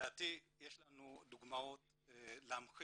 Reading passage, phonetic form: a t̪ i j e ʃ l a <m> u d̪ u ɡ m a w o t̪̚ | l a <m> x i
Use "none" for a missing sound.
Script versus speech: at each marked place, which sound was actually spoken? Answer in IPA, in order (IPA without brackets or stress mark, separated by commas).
n, m